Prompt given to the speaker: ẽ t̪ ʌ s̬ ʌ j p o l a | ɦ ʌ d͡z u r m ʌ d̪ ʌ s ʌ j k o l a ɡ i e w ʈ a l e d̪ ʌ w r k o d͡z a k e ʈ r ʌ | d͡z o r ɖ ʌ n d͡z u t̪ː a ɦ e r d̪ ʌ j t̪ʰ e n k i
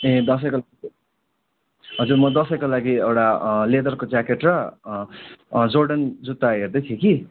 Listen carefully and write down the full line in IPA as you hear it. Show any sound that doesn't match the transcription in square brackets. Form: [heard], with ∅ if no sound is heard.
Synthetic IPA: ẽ [d̪] ʌ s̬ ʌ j [k] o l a | ɦ ʌ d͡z u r m ʌ d̪ ʌ s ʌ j k o l a ɡ i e w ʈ a l e d̪ ʌ [∅] r k o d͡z a k e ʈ r ʌ | d͡z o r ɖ ʌ n d͡z u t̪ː a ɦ e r d̪ ʌ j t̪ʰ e [∅] k i